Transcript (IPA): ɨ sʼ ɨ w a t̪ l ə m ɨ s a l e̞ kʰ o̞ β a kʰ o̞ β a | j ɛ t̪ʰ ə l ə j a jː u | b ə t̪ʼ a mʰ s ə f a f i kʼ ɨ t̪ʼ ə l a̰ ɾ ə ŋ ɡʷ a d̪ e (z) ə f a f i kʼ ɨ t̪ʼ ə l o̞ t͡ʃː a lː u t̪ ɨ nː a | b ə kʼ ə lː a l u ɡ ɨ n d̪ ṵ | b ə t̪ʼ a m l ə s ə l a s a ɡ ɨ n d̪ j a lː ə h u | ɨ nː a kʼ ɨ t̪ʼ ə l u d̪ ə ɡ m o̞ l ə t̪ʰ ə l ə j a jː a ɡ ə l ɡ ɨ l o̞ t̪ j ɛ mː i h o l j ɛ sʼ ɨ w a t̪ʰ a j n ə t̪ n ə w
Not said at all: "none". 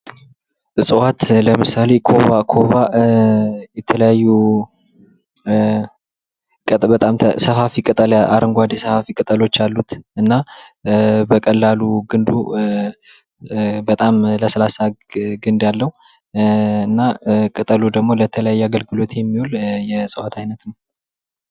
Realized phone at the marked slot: s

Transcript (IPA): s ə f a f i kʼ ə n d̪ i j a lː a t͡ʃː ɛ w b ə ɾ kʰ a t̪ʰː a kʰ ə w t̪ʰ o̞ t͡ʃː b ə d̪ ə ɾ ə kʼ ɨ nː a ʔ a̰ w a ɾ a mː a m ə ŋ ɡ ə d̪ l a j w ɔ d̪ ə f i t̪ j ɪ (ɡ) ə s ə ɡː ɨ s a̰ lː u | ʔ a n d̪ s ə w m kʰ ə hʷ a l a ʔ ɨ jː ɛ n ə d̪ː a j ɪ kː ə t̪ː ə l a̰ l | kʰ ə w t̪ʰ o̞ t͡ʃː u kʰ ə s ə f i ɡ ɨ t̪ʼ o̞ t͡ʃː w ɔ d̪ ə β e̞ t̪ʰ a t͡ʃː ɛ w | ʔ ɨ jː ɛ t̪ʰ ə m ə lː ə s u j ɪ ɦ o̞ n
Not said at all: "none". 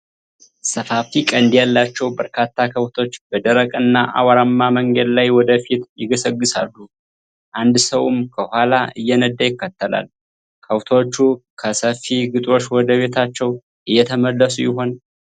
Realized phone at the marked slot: ɡ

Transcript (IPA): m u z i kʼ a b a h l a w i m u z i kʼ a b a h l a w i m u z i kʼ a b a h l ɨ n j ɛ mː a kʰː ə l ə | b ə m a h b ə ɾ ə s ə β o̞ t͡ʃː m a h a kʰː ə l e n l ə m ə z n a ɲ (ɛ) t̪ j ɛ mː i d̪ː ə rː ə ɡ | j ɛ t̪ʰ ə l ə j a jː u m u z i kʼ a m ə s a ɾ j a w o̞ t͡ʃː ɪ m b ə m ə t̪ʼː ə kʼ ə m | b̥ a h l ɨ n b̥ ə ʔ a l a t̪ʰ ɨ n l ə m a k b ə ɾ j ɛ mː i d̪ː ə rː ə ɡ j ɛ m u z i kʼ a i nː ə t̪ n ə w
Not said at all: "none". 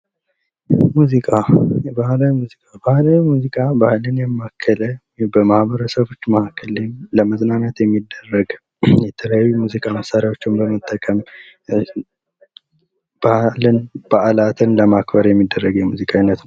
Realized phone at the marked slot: a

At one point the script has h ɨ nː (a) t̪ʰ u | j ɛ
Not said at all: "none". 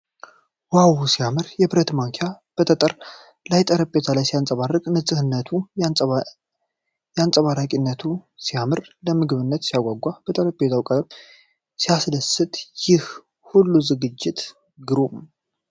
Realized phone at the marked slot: ə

